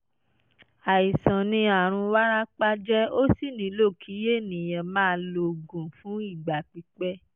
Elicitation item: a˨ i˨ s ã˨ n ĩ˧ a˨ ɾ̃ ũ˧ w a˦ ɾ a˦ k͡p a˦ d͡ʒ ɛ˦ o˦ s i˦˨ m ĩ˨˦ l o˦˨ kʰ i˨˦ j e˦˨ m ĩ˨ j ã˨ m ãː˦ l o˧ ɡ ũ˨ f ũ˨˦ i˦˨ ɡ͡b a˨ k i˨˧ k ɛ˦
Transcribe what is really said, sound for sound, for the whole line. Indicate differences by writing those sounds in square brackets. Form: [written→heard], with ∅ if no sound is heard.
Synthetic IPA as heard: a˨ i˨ s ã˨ n ĩ˧ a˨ ɾ̃ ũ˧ w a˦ ɾ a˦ k͡p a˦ d͡ʒ ɛ˦ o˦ s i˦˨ [m→n] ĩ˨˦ l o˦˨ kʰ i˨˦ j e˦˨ [m→n] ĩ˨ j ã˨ m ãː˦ l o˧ ɡ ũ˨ f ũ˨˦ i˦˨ ɡ͡b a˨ [k→k͡p] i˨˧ [k→k͡p] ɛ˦